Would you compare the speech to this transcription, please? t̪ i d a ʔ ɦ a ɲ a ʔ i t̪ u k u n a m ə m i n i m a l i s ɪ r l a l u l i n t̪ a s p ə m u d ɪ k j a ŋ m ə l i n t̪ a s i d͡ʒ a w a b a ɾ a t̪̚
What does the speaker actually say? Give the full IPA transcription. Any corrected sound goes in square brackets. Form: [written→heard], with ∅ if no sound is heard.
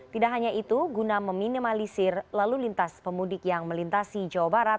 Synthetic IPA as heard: t̪ i d a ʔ ɦ a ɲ a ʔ i t̪ u [k→ɡ] u n a m ə m i n i m a l i s ɪ r l a l u l i n t̪ a s p ə m u d ɪ k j a ŋ m ə l i n t̪ a s i d͡ʒ a w a b a ɾ a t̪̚

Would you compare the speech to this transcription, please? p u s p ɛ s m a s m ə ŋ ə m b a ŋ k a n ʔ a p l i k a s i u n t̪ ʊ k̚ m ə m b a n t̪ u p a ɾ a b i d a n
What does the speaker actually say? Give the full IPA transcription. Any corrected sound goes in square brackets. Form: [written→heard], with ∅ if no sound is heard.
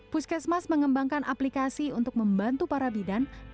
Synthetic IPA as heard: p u s [p→k] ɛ s m a s m ə ŋ ə m b a ŋ k a n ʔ a p l i k a s i u n t̪ ʊ k̚ m ə m b a n t̪ u p a ɾ a b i d a n

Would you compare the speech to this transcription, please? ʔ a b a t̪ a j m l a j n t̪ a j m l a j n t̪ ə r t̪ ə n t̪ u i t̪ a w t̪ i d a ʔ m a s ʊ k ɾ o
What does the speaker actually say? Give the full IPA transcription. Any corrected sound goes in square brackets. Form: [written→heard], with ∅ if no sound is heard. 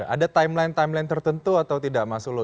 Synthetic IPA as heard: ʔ a [b→d] a t̪ a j m l a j n t̪ a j m l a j n t̪ ə r t̪ ə n t̪ u [i→a] t̪ a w t̪ i d a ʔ m a s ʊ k [ɾ→l] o

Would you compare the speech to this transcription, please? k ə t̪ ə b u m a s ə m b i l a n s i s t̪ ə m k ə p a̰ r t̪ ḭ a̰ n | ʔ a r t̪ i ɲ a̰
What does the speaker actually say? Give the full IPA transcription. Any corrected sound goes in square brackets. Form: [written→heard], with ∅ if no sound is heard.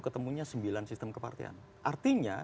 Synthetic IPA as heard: k ə t̪ ə [b→m] u [m→ɲ] a s ə m b i l a n s i s t̪ ə m k ə p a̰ r t̪ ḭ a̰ n | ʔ a r t̪ i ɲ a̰

